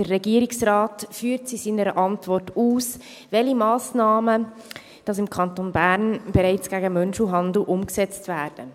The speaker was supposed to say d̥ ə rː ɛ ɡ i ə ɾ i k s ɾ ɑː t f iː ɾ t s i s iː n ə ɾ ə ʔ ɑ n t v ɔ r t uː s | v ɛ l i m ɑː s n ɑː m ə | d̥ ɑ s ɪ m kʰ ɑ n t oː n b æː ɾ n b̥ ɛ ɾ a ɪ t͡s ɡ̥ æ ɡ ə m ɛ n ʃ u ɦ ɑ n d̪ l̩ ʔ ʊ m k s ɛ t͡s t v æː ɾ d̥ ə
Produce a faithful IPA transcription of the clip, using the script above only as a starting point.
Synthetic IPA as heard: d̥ ə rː ɛ ɡ i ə ɾ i k s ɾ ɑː t f yː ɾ t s i s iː n ə ɾ ə ʔ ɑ n t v ɔ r t uː s | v ɛ l i m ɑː s n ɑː m ə | d̥ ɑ s ɪ m kʰ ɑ n t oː n b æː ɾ n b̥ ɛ ɾ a ɪ t͡s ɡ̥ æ ɡ ə m œ n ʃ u ɦ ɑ n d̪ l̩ ʔ ʊ m k s ɛ t͡s t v æː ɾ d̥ ə